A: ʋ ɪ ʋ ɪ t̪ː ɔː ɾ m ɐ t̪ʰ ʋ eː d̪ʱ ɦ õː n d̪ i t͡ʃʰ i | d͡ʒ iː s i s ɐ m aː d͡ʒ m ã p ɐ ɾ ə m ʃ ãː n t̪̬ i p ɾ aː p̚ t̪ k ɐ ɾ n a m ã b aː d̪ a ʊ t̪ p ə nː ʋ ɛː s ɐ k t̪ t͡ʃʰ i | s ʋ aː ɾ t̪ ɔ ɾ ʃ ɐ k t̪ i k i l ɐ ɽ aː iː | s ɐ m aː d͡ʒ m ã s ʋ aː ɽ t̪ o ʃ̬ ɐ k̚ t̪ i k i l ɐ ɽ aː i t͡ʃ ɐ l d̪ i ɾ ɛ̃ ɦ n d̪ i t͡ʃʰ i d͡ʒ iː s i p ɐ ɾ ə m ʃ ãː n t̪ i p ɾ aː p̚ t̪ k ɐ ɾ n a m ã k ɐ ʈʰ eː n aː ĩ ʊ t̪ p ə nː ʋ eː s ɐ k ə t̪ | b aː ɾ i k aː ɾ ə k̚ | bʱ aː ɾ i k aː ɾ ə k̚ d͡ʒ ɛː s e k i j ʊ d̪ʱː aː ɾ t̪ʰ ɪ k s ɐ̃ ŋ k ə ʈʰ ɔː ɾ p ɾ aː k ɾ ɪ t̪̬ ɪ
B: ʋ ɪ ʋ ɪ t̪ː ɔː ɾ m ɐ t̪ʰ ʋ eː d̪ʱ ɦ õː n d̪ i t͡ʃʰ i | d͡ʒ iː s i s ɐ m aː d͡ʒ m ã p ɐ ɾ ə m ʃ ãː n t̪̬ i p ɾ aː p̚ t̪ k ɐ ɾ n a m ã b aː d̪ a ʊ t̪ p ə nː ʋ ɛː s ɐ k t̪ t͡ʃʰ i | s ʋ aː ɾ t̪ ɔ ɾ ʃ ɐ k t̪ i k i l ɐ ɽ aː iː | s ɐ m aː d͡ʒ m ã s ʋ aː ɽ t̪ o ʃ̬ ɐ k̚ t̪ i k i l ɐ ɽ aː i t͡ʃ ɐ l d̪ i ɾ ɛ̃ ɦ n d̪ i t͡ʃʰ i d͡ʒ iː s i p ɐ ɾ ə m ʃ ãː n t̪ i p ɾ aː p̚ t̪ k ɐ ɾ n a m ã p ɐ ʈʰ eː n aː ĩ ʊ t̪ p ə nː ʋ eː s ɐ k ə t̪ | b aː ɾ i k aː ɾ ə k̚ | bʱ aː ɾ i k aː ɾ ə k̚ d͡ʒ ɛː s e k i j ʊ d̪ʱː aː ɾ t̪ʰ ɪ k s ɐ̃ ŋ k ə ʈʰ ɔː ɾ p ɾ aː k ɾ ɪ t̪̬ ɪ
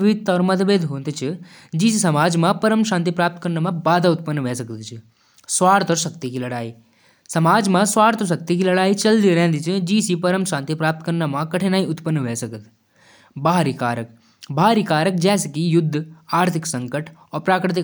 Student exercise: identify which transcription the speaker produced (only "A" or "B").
A